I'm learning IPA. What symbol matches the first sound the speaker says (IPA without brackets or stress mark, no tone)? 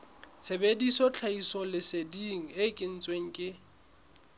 t͡sʰ